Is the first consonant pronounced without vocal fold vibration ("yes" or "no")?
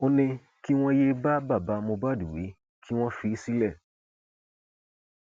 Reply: no